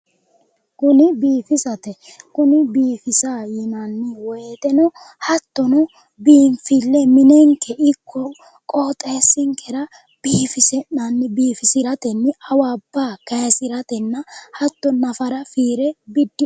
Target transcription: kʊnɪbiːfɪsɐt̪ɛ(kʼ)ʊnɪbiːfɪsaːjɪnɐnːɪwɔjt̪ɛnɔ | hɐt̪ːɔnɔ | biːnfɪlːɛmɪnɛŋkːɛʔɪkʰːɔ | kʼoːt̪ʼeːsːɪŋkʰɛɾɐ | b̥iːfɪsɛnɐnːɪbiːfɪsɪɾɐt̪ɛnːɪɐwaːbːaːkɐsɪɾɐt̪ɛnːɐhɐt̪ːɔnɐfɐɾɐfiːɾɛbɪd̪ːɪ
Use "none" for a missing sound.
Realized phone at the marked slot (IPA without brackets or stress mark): k